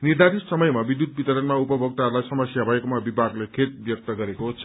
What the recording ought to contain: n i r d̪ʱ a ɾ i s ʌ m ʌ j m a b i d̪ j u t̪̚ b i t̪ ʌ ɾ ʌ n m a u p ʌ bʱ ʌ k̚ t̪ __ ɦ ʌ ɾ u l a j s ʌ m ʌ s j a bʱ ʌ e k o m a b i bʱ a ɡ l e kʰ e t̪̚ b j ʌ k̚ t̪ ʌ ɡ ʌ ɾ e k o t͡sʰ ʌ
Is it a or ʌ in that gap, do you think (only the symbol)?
a